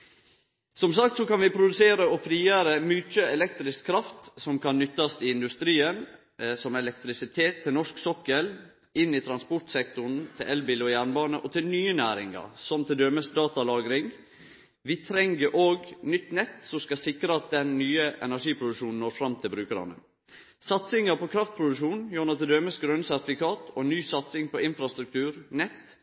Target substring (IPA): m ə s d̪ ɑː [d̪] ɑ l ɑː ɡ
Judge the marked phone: incorrect: t̪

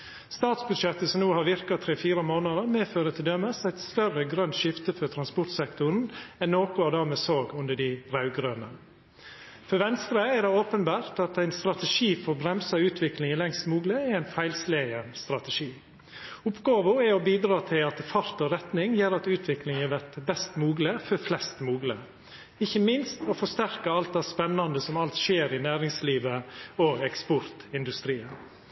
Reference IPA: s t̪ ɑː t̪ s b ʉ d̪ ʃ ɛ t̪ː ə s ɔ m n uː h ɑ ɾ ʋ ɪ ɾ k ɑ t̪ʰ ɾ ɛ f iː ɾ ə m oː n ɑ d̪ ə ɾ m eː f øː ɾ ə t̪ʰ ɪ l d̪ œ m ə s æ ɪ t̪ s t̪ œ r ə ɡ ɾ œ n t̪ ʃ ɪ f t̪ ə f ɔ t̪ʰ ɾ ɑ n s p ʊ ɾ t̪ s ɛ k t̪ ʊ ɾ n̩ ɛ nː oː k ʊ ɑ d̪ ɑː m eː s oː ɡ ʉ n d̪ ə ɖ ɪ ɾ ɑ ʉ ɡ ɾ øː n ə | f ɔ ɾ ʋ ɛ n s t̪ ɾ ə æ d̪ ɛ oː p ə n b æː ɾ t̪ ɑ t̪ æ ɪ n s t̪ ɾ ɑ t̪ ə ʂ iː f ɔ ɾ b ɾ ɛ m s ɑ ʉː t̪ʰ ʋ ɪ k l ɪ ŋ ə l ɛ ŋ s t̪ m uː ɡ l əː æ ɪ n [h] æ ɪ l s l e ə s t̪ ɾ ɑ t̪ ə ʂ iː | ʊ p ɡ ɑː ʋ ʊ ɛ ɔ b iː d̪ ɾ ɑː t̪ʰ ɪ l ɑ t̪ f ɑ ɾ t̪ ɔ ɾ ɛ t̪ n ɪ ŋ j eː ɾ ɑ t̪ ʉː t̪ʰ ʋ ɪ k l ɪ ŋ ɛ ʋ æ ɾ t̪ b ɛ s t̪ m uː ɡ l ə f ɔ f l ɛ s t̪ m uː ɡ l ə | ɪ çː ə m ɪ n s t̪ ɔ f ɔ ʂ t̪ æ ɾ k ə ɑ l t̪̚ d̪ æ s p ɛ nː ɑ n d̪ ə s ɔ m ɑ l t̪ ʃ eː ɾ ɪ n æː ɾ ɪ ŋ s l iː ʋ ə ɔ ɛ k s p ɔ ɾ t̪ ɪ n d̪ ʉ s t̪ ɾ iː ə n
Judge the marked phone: incorrect: f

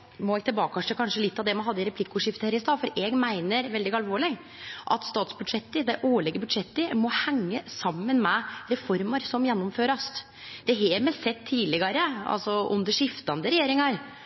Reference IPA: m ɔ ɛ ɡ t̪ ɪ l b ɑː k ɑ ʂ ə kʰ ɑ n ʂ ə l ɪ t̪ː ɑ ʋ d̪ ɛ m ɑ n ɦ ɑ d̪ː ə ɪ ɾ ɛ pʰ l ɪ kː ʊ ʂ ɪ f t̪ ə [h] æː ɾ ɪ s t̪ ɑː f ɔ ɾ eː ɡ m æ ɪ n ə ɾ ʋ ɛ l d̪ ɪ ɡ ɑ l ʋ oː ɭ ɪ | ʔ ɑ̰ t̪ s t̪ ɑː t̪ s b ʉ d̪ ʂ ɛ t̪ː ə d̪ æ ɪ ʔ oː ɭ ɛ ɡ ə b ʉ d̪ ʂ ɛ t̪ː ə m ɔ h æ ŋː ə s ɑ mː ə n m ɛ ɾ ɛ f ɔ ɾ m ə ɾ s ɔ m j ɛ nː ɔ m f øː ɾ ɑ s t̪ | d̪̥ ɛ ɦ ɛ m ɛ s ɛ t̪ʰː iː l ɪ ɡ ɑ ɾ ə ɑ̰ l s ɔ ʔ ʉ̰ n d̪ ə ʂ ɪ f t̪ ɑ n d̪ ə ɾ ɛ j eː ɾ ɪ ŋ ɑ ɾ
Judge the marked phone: correct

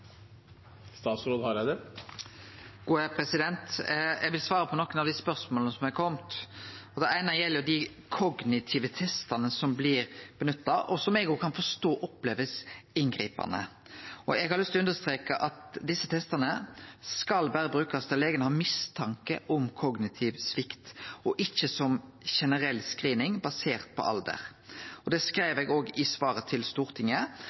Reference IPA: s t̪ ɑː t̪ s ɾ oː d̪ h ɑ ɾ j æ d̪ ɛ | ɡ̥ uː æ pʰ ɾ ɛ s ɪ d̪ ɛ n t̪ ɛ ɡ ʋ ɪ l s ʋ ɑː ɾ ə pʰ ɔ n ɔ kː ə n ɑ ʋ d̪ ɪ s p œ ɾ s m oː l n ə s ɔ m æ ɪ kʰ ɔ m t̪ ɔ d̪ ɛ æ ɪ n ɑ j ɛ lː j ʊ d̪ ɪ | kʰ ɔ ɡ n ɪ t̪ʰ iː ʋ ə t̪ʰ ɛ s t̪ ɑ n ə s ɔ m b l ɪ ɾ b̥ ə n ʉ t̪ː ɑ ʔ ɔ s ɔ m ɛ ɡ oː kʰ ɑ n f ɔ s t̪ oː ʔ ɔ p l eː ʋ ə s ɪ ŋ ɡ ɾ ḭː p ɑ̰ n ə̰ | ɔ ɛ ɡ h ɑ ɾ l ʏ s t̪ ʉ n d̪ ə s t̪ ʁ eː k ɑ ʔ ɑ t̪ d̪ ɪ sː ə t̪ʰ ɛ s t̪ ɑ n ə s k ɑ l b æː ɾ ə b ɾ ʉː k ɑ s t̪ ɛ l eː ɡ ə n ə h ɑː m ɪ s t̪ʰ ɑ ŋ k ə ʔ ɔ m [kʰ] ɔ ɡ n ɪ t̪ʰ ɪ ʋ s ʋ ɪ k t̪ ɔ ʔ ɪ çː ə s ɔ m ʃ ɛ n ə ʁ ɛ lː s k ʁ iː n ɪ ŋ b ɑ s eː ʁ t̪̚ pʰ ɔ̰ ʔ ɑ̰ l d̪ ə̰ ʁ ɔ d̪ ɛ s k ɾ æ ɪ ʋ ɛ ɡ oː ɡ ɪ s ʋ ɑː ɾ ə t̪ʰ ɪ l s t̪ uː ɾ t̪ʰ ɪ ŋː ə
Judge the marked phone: correct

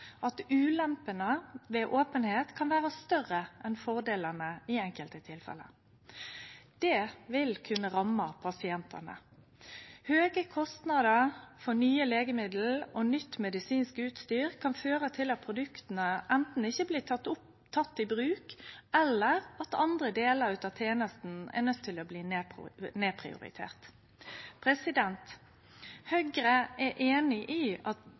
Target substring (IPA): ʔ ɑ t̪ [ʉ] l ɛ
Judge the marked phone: incorrect: ʉː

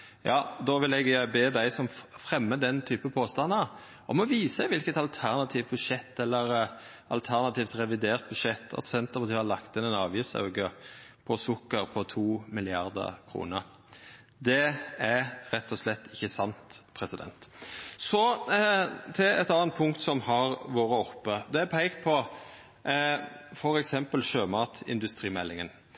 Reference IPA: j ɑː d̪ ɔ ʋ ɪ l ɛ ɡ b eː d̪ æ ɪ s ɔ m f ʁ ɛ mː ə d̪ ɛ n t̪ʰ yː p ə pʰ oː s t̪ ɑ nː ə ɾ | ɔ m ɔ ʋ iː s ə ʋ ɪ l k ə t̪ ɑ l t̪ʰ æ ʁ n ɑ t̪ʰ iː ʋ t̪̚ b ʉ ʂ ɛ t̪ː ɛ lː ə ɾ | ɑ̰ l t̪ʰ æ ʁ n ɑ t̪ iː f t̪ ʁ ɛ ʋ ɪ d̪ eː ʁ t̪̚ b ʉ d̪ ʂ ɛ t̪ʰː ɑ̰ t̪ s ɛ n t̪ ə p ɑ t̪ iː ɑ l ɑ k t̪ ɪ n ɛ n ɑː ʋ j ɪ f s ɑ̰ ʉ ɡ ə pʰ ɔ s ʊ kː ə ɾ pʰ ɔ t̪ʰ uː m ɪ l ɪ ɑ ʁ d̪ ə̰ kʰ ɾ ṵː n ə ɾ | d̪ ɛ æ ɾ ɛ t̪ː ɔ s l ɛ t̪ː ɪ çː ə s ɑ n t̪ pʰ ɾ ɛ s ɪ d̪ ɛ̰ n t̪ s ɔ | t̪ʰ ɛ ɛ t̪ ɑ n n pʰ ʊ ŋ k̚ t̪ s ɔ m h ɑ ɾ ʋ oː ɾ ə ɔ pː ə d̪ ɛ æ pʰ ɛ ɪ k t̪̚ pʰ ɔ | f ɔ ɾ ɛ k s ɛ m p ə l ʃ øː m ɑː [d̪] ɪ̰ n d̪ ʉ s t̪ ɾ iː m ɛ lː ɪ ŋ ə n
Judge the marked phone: incorrect: t̪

